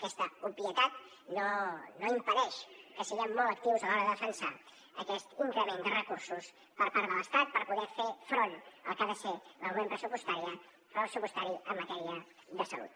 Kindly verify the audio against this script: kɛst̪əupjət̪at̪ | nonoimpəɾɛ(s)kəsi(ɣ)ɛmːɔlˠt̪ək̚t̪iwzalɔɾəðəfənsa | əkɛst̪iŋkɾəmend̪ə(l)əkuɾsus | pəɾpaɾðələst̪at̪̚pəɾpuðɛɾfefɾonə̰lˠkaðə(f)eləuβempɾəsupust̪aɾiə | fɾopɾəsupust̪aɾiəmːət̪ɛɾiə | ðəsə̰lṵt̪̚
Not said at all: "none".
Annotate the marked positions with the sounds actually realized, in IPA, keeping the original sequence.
ʃ, ɣ, r, s

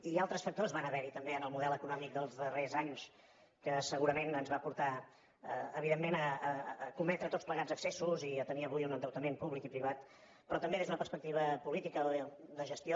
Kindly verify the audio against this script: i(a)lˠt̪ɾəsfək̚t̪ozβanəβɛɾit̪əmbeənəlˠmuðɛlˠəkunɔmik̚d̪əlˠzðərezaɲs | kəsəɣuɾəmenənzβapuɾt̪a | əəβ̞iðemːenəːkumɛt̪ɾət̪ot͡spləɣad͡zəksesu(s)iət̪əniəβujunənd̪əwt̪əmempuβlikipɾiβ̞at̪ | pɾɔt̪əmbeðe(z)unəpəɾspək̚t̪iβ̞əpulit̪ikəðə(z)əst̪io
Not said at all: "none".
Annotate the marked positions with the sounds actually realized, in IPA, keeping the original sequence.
a, z, z, ʒ

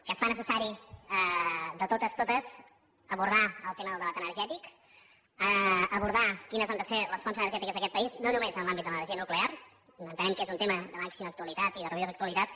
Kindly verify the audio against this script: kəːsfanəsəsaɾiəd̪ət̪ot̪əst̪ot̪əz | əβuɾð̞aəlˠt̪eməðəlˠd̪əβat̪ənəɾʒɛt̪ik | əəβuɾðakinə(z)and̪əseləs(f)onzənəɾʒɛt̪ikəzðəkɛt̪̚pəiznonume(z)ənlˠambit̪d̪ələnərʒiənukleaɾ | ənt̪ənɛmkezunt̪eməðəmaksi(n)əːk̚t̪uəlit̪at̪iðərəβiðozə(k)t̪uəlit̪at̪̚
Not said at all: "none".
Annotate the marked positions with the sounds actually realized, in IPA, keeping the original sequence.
z, f, z, m, k

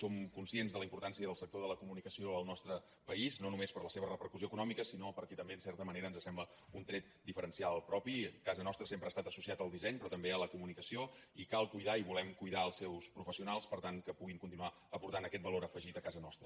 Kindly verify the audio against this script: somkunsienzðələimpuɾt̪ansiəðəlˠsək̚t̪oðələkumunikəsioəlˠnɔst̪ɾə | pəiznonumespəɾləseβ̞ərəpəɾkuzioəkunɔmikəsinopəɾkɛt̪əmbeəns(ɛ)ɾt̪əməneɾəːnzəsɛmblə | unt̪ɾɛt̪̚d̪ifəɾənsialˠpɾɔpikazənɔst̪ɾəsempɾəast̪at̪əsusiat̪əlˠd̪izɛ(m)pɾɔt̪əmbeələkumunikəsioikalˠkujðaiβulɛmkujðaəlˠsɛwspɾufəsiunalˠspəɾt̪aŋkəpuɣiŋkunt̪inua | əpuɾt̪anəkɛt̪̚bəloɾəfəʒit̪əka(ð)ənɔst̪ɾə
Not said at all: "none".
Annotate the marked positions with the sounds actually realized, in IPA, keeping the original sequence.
ɛ, ɲ, z

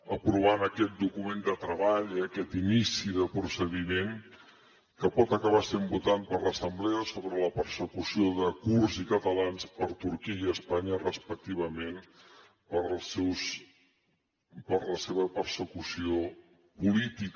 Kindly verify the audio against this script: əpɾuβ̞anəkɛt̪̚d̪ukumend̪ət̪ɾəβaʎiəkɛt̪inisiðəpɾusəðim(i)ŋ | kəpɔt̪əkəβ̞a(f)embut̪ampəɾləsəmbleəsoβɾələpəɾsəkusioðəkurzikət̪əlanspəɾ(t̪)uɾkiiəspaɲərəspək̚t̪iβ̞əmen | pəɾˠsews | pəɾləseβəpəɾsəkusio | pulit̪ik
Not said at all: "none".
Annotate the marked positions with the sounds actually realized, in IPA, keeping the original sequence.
e, s, t̪

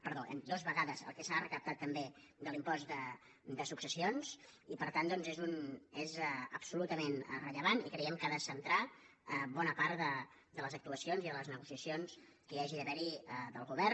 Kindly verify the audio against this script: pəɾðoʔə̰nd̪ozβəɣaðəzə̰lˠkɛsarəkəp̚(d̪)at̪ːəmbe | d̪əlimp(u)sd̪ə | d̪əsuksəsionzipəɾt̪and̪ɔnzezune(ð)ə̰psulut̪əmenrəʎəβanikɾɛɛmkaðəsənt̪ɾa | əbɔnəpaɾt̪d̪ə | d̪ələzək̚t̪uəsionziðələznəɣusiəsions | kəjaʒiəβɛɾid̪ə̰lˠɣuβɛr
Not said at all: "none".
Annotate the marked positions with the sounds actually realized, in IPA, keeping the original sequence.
t̪, ɔ, z

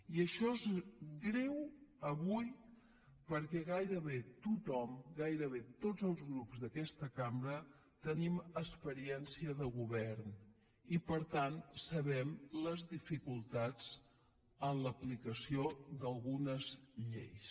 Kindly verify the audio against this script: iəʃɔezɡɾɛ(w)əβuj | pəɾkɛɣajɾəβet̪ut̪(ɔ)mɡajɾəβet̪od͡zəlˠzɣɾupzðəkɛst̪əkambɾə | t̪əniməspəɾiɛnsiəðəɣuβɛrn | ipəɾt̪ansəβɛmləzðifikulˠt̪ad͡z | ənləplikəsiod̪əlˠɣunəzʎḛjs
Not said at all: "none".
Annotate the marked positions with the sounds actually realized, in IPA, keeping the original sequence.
w, ɔ

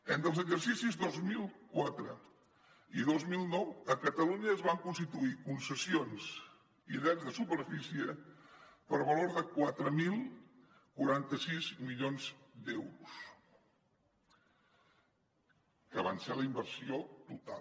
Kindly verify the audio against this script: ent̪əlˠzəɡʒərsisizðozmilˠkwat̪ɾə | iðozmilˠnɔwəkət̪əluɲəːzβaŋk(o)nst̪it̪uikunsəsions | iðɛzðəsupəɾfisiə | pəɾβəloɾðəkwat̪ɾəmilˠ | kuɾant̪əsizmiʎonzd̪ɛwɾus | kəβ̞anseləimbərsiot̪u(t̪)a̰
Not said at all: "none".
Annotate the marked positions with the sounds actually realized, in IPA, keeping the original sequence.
u, t̪

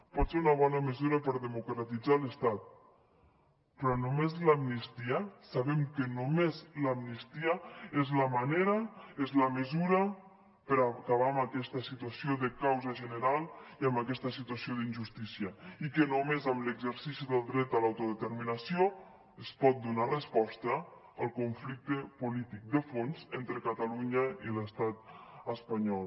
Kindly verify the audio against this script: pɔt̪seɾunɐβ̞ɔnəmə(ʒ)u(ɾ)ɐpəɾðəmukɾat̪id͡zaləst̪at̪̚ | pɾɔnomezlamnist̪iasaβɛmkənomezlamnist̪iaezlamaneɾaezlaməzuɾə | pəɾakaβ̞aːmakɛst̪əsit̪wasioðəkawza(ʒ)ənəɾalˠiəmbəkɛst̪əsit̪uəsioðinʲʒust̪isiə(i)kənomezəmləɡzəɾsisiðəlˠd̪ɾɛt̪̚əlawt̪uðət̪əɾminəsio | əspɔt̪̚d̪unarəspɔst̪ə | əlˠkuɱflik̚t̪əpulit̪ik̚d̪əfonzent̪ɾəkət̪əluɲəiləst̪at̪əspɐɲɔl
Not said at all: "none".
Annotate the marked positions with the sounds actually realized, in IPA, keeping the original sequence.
z, ɾ, ʒ, i

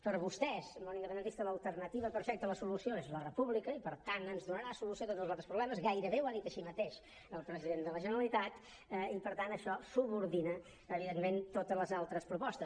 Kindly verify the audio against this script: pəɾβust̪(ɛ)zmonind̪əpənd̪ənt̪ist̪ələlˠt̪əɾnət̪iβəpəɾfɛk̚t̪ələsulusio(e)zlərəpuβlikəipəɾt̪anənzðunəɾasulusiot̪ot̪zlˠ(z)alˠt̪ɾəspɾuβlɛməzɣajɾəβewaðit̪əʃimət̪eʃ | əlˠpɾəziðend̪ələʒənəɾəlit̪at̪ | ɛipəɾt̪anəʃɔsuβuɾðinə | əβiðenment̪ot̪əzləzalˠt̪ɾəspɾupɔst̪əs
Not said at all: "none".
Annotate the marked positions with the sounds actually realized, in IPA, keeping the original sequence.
ɛ, e, z

